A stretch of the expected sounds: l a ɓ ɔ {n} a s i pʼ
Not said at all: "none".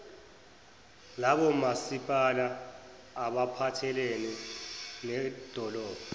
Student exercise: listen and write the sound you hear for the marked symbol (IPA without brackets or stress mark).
m